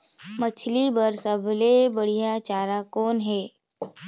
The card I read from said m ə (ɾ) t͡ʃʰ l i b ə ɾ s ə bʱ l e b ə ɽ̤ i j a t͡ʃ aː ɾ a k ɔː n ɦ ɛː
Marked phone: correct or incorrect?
incorrect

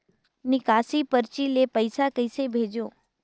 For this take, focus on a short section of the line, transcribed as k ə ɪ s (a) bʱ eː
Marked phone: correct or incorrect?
incorrect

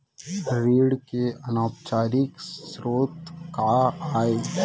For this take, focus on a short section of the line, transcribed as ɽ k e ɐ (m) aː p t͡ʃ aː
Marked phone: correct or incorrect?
incorrect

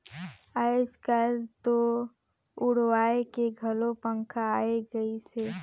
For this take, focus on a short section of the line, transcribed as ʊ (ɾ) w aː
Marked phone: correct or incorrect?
incorrect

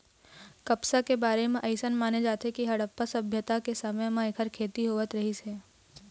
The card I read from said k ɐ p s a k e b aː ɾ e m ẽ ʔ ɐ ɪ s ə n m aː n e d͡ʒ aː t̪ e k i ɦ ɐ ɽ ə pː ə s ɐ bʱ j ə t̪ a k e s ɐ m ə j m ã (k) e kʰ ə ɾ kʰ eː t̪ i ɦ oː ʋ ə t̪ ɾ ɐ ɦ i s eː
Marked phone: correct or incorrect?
incorrect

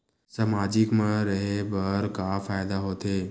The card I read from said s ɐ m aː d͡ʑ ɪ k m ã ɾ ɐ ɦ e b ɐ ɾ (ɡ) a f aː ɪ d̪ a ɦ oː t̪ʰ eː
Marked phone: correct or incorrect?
incorrect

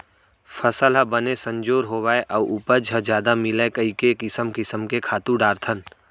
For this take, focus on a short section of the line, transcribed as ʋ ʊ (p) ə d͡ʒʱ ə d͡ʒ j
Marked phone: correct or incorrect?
correct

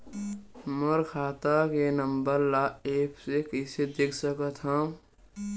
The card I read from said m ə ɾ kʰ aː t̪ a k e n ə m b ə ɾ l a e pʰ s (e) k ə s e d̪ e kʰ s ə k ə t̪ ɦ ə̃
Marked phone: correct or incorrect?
correct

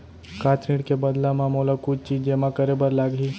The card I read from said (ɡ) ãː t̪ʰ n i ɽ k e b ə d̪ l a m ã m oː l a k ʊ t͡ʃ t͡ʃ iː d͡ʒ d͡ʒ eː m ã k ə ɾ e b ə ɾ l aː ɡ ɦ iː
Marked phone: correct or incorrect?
incorrect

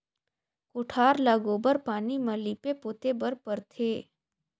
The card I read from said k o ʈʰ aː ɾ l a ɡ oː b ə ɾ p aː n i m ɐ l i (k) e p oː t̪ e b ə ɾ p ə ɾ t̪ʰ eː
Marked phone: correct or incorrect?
incorrect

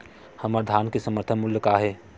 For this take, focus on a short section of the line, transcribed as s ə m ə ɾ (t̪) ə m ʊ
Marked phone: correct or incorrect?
incorrect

